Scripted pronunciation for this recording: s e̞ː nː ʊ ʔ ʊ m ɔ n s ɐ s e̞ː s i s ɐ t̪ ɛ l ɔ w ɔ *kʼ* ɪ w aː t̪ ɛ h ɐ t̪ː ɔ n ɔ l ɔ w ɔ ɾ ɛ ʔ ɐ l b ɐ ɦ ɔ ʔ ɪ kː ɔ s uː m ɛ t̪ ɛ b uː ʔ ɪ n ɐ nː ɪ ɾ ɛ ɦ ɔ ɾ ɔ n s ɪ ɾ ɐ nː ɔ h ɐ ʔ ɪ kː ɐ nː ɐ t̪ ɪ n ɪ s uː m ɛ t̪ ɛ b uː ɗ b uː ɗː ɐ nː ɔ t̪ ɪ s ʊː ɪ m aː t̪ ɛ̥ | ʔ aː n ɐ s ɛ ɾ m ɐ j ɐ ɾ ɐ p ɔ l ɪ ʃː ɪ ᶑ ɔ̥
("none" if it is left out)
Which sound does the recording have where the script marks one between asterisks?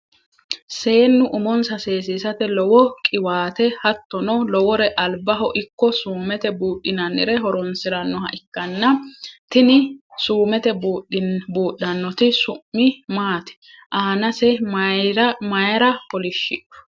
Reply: kʼ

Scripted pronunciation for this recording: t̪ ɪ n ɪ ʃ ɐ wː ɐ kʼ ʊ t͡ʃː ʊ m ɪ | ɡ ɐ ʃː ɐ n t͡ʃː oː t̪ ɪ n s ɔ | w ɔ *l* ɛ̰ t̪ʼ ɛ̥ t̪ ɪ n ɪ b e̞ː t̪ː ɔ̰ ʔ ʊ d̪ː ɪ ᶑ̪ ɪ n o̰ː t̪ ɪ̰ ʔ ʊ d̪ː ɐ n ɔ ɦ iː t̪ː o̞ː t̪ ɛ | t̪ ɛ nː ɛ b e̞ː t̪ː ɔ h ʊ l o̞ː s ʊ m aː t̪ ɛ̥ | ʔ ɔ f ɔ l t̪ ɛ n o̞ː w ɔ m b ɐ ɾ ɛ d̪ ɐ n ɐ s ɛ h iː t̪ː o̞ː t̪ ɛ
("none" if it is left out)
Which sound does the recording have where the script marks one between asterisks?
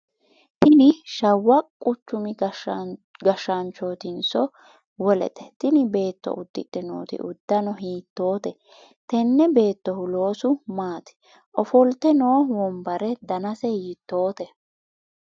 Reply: l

